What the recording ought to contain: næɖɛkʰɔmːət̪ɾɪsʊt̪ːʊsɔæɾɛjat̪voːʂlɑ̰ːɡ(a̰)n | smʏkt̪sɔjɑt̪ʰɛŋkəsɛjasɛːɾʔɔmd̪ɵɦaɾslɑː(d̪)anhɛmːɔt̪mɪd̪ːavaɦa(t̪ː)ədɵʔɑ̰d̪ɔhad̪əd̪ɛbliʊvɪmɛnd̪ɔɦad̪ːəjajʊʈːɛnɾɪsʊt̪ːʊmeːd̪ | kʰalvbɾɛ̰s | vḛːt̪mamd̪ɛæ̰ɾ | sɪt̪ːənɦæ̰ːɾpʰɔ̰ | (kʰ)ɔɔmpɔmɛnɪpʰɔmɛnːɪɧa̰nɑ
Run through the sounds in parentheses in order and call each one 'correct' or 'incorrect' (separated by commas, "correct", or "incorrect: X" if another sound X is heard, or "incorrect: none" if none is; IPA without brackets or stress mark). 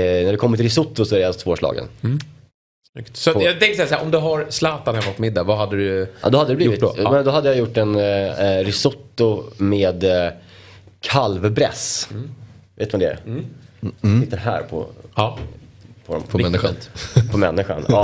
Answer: incorrect: ə̰, incorrect: t̪, incorrect: d̪ː, incorrect: pʰ